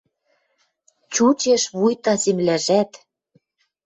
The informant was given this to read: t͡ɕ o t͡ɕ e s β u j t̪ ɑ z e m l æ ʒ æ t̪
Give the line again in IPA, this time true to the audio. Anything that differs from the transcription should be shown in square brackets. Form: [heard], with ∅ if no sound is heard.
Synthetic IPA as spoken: t͡ɕ [u] t͡ɕ e [ʃ] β u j t̪ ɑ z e m l æ ʒ æ t̪